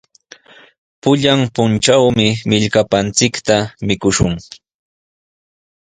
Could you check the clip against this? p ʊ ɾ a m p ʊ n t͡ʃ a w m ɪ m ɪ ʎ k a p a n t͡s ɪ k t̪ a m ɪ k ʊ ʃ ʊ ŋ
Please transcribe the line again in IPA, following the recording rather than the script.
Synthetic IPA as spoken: p ʊ ʎ a m p ʊ n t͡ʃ a w m ɪ m ɪ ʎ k a p a n t͡s ɪ k t̪ a m ɪ k ʊ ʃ ʊ ŋ